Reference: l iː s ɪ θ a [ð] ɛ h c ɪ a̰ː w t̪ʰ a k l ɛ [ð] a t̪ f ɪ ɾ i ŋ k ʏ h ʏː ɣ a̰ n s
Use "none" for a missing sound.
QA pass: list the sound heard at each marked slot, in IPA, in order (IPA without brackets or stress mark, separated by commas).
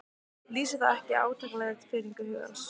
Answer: ð, ɣ